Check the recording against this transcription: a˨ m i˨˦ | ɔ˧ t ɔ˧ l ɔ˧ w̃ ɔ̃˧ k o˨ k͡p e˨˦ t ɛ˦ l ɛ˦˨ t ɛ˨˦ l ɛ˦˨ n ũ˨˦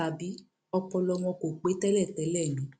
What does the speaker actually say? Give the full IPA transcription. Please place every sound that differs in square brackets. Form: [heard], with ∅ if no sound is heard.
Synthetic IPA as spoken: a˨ [b] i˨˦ | ɔ˧ [p] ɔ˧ l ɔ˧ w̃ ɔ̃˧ k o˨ k͡p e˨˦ t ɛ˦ l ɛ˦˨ t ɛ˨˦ l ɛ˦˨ n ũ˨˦